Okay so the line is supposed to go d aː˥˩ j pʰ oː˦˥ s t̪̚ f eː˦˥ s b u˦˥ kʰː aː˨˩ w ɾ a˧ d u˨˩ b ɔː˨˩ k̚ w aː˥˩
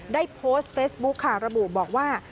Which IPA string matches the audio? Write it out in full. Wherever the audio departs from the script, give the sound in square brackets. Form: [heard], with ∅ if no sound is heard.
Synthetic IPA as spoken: d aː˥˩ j pʰ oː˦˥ s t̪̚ f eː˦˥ s b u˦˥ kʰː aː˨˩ w ɾ a˧ [b] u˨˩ b ɔː˨˩ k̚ w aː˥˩